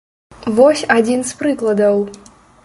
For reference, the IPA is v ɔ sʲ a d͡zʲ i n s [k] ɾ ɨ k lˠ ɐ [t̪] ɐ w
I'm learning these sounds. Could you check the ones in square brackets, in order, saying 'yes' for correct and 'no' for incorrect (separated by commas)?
no, no